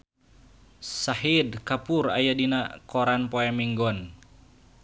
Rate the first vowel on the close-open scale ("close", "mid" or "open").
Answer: open